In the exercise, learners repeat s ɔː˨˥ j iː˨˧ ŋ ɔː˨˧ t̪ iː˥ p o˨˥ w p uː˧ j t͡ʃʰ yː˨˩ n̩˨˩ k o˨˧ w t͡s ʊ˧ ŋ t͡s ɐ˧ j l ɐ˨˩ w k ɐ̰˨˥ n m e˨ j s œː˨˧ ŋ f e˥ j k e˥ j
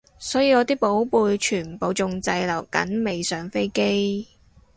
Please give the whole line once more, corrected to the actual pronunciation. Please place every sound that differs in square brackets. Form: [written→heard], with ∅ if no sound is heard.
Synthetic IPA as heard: s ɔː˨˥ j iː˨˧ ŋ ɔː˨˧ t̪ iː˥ p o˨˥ w p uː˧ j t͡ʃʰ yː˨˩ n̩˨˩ [k→p] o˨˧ w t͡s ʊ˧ ŋ t͡s ɐ˧ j l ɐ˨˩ w k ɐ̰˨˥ n m e˨ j s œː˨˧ ŋ f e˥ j k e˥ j